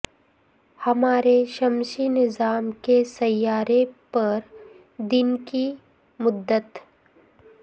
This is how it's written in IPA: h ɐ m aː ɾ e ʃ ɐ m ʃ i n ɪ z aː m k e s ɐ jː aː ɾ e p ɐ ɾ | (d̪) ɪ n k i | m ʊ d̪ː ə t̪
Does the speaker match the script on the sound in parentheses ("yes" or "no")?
yes